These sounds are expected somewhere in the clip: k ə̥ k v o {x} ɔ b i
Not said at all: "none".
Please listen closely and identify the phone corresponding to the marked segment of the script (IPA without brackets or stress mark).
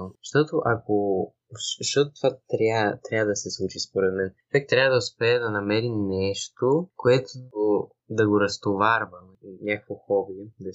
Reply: x